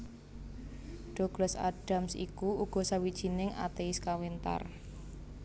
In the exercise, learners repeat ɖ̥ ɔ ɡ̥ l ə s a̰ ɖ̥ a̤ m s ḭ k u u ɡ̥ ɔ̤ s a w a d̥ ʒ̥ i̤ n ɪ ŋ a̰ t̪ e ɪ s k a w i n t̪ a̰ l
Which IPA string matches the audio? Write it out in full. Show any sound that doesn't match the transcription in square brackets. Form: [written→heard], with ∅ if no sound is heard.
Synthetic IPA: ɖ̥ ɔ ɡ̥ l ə s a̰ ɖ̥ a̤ m s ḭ k u u ɡ̥ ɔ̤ s a w [a→i] d̥ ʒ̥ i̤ n ɪ ŋ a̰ t̪ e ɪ s k a w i n t̪ a̰ [l→r]